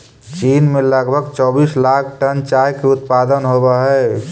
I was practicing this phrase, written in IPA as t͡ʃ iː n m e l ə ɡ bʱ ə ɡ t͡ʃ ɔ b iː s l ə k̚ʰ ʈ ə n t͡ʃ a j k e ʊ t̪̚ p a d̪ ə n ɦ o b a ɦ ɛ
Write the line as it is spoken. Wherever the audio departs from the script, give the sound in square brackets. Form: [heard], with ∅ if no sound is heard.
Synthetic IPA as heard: t͡ʃ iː n m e l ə ɡ bʱ ə ɡ t͡ʃ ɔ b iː s l [a] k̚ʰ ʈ ə n t͡ʃ a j k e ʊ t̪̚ p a d̪ ə n ɦ o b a ɦ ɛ

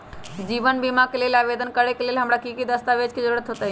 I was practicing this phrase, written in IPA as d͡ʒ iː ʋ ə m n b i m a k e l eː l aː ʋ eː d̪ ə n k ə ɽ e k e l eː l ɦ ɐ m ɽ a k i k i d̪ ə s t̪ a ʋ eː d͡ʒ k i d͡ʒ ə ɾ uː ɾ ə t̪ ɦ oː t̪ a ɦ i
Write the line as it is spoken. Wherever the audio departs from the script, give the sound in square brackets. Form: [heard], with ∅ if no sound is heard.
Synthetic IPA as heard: d͡ʒ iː ʋ ə [∅] n b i m a k e l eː l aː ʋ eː d̪ ə n k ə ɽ e k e l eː l ɦ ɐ m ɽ a k i k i d̪ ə s t̪ a ʋ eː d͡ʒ k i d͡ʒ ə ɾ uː ɾ ə t̪ ɦ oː t̪ a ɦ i

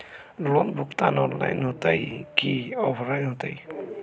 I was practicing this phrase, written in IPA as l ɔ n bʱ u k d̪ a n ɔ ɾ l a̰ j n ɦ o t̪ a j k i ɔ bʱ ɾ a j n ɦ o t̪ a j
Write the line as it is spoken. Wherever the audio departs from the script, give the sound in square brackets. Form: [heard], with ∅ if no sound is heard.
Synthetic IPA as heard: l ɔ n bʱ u k [t̪] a n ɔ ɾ l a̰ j n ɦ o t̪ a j k i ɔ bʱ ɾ a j n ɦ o t̪ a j

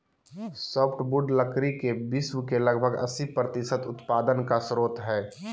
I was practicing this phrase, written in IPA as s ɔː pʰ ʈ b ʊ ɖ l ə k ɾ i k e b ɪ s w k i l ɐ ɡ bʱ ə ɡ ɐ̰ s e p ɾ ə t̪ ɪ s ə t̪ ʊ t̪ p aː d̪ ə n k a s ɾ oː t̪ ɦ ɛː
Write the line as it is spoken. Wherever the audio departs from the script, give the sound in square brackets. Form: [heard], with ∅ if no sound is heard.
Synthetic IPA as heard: s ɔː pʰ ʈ b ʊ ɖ l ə k ɾ i k e b ɪ s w k [e] l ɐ ɡ bʱ ə ɡ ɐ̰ s [i] p ɾ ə t̪ ɪ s ə t̪ ʊ t̪ p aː d̪ ə n k a s ɾ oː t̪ ɦ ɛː

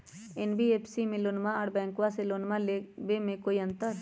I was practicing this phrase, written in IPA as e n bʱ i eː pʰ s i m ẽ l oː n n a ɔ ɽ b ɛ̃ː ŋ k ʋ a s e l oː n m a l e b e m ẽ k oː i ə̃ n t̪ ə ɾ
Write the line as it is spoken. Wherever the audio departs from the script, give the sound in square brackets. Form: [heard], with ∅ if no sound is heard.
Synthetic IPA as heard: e n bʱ i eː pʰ s i m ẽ l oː n [m] a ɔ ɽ b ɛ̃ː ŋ k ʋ a s e l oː n m a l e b e m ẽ k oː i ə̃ n t̪ ə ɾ

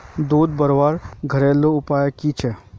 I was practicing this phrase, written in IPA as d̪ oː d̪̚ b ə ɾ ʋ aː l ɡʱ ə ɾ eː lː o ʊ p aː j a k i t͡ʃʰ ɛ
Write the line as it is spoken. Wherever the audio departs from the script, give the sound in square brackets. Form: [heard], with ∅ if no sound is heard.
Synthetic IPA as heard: d̪ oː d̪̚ b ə ɾ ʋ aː [ɾ] ɡʱ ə ɾ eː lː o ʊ p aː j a k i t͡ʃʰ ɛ

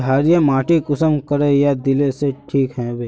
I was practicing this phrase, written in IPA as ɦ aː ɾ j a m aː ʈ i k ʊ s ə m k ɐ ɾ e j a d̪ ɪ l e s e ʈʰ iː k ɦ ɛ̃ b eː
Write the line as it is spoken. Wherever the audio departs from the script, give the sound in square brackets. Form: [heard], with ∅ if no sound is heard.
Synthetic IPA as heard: ɦ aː ɾ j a m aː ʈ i k ʊ s ə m k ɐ ɾ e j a d̪ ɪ l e s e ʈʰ iː k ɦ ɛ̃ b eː

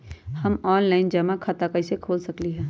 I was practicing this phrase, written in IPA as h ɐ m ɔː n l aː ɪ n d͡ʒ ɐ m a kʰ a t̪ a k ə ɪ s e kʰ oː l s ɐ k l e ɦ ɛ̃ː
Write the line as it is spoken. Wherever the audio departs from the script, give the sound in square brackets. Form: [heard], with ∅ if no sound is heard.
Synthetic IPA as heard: h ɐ m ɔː n l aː ɪ n d͡ʒ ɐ m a kʰ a t̪ a k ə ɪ s e kʰ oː l s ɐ k l [i] ɦ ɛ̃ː

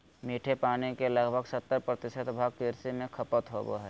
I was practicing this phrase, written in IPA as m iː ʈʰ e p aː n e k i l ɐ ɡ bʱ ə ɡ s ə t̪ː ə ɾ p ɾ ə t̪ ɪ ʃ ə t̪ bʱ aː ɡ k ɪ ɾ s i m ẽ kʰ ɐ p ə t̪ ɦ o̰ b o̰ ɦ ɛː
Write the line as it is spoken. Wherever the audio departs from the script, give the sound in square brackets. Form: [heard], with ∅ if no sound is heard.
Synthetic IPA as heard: m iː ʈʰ e p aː n [i] k [e] l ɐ ɡ bʱ ə ɡ s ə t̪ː ə ɾ p ɾ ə t̪ ɪ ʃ ə t̪ bʱ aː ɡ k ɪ ɾ s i m ẽ kʰ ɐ p ə t̪ ɦ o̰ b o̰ ɦ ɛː

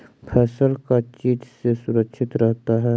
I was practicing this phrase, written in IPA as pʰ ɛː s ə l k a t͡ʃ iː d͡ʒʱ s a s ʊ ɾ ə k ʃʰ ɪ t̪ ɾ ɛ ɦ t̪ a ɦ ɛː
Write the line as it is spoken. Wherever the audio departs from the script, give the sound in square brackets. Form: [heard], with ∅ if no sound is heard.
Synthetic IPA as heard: pʰ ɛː s ə l k a t͡ʃ iː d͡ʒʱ s [e] s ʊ ɾ ə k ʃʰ ɪ t̪ ɾ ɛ ɦ t̪ a ɦ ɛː

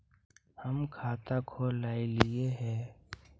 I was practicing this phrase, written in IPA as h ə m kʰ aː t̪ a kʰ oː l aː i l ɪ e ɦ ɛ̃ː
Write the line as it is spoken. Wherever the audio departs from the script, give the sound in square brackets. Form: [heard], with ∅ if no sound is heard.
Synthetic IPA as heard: h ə m kʰ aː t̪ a kʰ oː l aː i l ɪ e ɦ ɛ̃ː

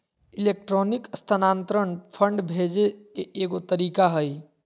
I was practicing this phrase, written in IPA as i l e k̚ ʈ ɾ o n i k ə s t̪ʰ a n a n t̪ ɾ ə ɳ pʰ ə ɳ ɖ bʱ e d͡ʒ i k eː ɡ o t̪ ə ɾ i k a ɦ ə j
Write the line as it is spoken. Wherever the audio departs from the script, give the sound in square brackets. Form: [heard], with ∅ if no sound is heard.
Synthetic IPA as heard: i l e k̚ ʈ ɾ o n i k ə s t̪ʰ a n a n t̪ ɾ ə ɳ pʰ ə ɳ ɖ bʱ e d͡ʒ [e] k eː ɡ o t̪ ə ɾ i k a ɦ ə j

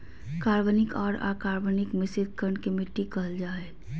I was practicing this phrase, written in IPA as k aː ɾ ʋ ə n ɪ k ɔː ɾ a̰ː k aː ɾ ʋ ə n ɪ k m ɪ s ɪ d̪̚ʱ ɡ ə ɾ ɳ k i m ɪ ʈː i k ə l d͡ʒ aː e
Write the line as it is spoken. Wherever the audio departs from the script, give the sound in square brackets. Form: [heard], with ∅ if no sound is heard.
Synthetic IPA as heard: k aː ɾ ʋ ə n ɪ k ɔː ɾ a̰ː k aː ɾ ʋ ə n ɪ k m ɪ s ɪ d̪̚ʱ [k] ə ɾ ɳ k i m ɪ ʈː i k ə l d͡ʒ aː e

